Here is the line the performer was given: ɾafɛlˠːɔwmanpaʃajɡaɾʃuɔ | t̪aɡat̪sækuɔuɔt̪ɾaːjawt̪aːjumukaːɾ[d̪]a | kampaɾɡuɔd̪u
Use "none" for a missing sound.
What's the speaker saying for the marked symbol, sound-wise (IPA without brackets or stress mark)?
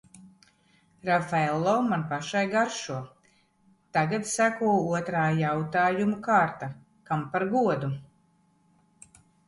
t̪